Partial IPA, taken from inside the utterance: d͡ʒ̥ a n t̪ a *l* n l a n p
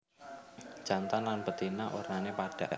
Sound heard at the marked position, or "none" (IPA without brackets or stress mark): none